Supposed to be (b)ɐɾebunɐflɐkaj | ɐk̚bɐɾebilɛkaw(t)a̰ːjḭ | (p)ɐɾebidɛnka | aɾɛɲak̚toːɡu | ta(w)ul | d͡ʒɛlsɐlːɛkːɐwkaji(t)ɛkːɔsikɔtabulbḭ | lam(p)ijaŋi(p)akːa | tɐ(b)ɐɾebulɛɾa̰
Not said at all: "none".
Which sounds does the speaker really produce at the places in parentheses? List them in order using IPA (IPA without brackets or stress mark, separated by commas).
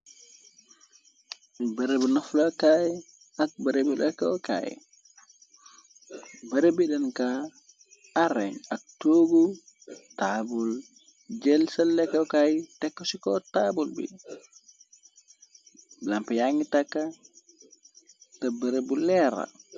b, k, b, b, t, p, t, b